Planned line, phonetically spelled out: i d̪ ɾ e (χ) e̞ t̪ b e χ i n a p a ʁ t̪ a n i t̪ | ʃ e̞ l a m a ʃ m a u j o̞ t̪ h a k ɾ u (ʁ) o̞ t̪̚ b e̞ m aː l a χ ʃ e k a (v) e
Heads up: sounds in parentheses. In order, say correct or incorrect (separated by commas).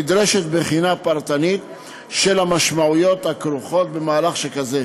incorrect, incorrect, incorrect